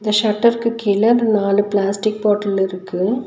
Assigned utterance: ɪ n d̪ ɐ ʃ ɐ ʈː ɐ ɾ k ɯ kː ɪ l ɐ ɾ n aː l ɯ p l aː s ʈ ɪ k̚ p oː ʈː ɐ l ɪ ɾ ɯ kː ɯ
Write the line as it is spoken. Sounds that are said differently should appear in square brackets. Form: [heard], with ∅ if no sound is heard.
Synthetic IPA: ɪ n d̪ ɐ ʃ ɐ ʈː ɐ ɾ k ɯ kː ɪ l ɐ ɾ n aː l ɯ p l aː s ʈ ɪ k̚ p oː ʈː ɐ l ɪ ɾ ɯ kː ɯ